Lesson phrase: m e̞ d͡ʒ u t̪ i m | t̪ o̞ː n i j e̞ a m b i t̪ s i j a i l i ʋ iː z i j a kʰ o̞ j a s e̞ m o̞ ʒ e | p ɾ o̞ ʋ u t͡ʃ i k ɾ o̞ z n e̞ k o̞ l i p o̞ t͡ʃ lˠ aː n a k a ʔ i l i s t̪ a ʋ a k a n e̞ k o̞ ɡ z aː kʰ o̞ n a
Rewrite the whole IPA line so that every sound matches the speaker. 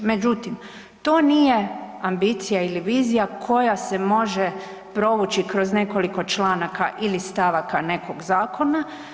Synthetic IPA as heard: m e̞ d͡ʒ u t̪ i m | t̪ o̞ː n i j e̞ a m b i t̪ s i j a i l i ʋ iː z i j a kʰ o̞ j a s e̞ m o̞ ʒ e | p ɾ o̞ ʋ u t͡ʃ i k ɾ o̞ z n e̞ k o̞ l i k o̞ t͡ʃ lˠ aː n a k a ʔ i l i s t̪ a ʋ a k a n e̞ k o̞ ɡ z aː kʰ o̞ n a